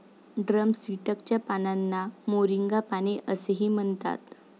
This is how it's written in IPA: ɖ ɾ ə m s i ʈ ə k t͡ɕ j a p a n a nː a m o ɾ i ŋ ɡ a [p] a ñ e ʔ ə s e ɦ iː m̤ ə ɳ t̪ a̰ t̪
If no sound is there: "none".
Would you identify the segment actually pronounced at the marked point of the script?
p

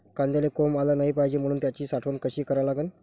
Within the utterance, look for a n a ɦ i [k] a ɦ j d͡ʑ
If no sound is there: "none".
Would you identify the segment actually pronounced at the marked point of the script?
p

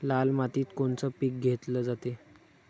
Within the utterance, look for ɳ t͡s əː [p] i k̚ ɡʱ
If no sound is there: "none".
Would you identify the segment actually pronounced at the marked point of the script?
p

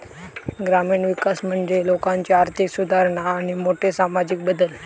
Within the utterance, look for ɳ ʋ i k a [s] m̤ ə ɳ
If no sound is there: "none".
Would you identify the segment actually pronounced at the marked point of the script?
s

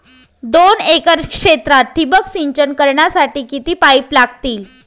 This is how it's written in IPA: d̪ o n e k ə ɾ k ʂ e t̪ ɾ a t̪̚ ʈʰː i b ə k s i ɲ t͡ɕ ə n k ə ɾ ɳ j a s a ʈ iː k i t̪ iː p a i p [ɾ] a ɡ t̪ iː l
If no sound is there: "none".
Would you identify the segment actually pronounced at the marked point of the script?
l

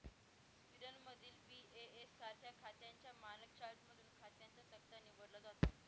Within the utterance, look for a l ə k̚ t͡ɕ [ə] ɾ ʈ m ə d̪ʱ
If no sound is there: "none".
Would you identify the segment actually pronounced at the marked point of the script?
a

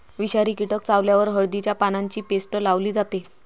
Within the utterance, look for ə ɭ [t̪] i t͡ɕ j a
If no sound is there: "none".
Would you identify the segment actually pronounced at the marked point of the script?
d̪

